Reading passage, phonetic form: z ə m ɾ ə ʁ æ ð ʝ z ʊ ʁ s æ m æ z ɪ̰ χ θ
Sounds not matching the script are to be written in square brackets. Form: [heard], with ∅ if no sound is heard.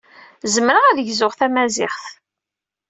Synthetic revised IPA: z ə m ɾ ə ʁ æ ð ʝ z ʊ ʁ [θ] æ m æ z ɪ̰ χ θ